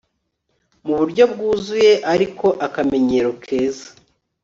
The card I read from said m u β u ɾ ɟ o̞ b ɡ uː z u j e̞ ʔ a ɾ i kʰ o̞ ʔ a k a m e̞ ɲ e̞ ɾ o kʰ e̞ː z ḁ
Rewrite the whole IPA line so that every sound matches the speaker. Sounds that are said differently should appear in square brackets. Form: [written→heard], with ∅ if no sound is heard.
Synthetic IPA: m u β u ɾ ɟ o̞ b ɡ uː z u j e̞ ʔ a ɾ i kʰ o̞ ʔ a k a m e̞ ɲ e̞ ɾ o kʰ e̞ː z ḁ